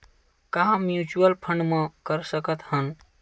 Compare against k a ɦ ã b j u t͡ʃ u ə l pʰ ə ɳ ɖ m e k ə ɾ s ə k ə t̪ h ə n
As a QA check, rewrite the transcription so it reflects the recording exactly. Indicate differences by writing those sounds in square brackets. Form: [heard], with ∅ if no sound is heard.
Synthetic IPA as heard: k a ɦ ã [m] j u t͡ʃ u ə l pʰ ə ɳ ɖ m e k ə ɾ s ə k ə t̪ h ə n